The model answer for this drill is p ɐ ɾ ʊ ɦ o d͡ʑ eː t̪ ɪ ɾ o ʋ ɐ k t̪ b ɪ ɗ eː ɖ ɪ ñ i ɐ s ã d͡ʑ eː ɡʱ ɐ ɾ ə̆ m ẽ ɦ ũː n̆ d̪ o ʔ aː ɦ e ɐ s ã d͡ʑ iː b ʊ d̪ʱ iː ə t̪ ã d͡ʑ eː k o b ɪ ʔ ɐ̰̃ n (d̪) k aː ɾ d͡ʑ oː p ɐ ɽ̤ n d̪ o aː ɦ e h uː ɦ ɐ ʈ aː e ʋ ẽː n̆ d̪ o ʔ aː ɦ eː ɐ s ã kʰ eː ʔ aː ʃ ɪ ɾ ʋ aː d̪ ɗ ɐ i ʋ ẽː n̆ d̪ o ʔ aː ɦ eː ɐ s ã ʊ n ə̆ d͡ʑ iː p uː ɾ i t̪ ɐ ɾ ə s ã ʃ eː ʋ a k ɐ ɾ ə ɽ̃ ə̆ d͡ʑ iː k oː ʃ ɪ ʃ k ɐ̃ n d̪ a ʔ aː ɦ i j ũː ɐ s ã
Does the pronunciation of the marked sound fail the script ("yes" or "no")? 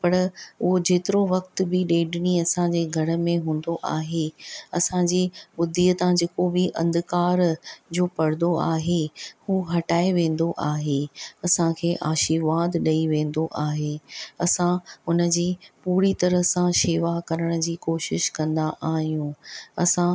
no